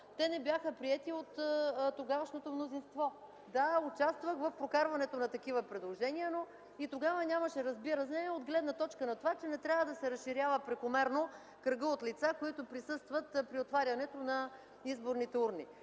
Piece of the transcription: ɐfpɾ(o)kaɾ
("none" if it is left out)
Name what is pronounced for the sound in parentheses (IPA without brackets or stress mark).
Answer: o